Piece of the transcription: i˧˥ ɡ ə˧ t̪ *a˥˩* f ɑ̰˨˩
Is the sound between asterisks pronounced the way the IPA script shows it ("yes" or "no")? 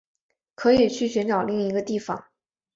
no